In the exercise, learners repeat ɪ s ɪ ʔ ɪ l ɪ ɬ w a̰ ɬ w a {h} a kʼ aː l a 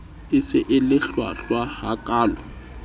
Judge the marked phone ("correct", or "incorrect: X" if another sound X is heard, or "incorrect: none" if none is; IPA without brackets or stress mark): correct